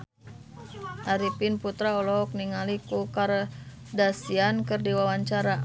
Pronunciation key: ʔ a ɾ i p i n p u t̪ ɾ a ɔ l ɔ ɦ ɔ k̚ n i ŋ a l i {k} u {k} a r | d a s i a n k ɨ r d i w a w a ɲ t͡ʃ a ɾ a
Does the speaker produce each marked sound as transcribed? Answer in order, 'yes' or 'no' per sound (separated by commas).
yes, yes